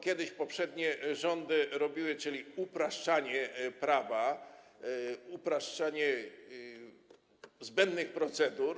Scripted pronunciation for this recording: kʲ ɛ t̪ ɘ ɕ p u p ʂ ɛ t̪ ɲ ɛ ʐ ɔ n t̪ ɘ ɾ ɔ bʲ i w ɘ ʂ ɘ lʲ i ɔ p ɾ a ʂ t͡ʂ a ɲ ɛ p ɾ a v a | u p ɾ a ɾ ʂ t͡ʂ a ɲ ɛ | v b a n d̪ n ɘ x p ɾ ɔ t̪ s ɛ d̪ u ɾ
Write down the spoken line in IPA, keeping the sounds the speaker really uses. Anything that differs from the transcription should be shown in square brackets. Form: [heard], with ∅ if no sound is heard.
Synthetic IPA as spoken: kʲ ɛ [d̪] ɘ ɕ p [ɔ] p ʂ ɛ [d̪] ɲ ɛ ʐ ɔ n [d̪] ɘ ɾ ɔ bʲ i w ɘ [t͡ʂ] ɘ lʲ i [u] p ɾ a ʂ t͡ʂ a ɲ ɛ p ɾ a v a | u p ɾ a [∅] ʂ t͡ʂ a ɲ ɛ | [z] b [ɛ] n d̪ n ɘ x p ɾ ɔ t̪ s ɛ d̪ u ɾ